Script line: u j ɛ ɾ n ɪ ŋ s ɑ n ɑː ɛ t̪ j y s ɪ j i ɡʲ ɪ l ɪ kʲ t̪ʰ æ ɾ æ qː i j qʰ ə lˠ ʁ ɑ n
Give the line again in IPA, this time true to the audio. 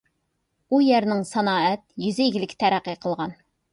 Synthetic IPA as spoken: u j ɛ ɾ n ɪ ŋ s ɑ n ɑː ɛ t̪ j y z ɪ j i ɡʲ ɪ l ɪ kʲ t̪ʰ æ ɾ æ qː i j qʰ ə lˠ ʁ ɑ n

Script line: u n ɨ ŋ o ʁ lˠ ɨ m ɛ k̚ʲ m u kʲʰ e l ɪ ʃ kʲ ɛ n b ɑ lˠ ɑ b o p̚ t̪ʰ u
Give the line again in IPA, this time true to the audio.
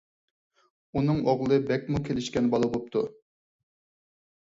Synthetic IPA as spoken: u n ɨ ŋ o ʁ lˠ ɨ b ɛ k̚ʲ m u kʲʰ e l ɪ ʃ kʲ ɛ n b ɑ lˠ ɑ b o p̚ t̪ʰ u

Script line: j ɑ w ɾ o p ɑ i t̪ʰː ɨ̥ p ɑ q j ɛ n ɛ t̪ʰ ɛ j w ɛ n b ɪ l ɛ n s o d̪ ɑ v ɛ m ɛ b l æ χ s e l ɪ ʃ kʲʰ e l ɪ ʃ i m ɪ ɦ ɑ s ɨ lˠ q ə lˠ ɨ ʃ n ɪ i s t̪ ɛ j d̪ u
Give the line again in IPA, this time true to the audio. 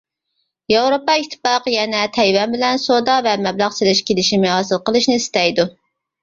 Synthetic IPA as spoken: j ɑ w ɾ o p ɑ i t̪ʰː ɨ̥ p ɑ q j ɛ n ɛ t̪ʰ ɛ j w ɛ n b ɪ l ɛ n s o d̪ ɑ v ɛ m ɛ b l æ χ s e l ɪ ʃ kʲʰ e l ɪ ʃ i m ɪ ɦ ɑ s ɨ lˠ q ə lˠ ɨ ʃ n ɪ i s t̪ ɛ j d̪ u

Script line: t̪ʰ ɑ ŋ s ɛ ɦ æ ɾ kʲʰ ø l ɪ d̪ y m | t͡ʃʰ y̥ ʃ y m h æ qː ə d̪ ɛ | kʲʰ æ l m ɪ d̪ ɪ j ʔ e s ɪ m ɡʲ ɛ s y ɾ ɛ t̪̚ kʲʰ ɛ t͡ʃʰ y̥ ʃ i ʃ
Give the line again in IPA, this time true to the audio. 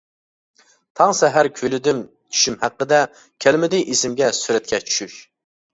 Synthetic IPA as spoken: t̪ʰ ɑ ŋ s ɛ ɦ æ ɾ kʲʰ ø l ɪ d̪ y m | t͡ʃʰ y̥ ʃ y m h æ qː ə d̪ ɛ | kʲʰ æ l m ɪ d̪ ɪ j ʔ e s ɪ m ɡʲ ɛ s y ɾ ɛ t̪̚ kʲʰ ɛ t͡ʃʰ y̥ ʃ y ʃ

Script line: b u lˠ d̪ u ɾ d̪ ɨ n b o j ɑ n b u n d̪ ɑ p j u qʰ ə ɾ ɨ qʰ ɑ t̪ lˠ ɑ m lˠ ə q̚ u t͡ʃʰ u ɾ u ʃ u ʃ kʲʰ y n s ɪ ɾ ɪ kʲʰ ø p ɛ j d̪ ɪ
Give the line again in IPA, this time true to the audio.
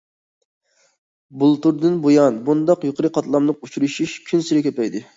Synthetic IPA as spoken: b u lˠ t̪ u ɾ d̪ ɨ n b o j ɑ n b u n d̪ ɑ q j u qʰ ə ɾ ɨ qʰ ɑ t̪ lˠ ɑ m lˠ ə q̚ u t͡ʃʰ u ɾ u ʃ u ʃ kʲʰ y n s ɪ ɾ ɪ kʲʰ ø p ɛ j d̪ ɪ

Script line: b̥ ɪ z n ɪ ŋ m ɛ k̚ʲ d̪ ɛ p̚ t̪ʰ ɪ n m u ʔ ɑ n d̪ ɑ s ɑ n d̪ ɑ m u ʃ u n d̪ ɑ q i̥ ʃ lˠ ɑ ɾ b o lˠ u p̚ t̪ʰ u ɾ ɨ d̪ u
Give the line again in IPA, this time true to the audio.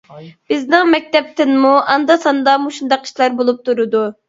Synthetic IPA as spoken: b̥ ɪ z n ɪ ŋ m ɛ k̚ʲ t̪ ɛ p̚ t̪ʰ ɪ n m u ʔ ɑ n d̪ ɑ s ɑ n d̪ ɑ m u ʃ u n d̪ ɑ q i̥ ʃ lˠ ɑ ɾ b o lˠ u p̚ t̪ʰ u ɾ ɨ d̪ u

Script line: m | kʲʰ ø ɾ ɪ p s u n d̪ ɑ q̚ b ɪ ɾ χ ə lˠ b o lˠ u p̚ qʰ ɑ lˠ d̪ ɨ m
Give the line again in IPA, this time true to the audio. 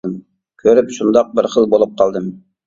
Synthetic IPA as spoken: m | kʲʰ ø ɾ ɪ p ʃ u n d̪ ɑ q̚ b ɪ ɾ χ ə lˠ b o lˠ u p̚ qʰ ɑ lˠ d̪ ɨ m

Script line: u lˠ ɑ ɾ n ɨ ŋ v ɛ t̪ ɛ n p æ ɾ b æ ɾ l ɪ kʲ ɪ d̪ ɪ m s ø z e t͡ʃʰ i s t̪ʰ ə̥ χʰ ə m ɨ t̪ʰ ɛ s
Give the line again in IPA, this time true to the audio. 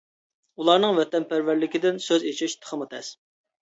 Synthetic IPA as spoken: u lˠ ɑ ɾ n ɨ ŋ v ɛ t̪ ɛ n p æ ɾ v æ ɾ l ɪ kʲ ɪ d̪ ɪ n s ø z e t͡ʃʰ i ʃ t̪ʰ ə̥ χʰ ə m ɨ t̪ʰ ɛ s

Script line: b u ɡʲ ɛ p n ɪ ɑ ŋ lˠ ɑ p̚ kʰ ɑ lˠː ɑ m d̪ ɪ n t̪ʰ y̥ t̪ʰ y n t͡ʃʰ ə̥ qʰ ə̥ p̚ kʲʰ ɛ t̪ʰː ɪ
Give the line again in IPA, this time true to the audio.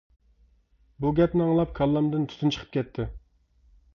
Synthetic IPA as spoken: b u ɡʲ ɛ p n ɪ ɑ ŋ lˠ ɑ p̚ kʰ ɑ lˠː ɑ m d̪ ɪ n t̪ʰ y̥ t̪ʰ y n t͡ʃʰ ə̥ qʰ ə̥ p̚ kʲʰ ɛ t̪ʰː ɪ

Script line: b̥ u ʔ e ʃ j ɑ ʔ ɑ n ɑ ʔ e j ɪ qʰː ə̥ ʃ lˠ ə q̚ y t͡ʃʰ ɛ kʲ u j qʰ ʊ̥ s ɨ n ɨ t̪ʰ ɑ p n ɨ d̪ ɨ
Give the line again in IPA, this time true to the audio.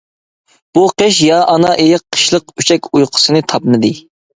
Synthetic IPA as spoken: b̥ u q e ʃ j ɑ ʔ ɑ n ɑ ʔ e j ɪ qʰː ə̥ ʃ lˠ ə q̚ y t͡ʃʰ ɛ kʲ u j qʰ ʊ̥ s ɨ n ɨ t̪ʰ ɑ p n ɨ d̪ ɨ

